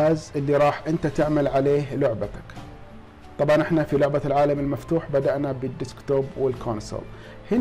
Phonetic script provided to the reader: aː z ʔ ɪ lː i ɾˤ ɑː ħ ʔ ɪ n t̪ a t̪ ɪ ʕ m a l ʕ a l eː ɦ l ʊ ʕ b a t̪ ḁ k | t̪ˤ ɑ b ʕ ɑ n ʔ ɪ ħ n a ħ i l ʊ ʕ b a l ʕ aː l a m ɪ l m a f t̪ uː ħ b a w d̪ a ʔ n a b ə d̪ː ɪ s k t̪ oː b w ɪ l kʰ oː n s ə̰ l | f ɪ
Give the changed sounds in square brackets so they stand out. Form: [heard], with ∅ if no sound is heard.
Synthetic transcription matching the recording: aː z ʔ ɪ lː i ɾˤ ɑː ħ ʔ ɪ n t̪ a t̪ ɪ ʕ m a l ʕ a l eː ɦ l ʊ ʕ b a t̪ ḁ k | t̪ˤ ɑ b ʕ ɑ n ʔ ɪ ħ n a [f] i l ʊ ʕ b a l ʕ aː l a m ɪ l m a f t̪ uː ħ b a [∅] d̪ a ʔ n a b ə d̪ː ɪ s k t̪ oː b w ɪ l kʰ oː n s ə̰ l | [h] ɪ